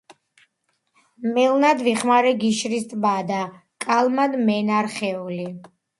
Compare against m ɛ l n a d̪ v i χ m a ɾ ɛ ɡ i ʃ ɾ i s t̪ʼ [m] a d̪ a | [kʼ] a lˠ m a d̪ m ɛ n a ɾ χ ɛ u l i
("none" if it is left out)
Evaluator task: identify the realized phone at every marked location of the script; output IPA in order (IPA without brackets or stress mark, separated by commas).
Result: b, kʼ